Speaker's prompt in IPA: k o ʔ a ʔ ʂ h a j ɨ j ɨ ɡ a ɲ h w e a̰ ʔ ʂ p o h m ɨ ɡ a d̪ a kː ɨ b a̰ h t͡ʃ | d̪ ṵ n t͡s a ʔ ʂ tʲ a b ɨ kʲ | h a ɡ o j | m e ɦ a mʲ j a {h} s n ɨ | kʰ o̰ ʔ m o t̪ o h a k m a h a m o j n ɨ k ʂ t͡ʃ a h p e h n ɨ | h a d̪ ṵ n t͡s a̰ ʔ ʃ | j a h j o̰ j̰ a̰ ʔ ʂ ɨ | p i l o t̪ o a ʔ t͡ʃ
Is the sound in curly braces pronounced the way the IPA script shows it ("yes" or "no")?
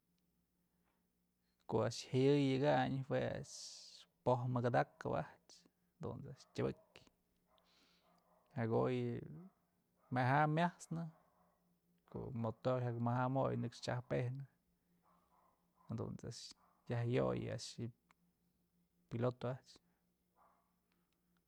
yes